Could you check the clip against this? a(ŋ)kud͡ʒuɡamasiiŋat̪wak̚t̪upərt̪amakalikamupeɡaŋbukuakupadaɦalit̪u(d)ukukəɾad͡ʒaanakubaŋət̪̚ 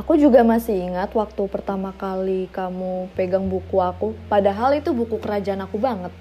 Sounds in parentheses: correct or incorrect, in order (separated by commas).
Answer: incorrect, incorrect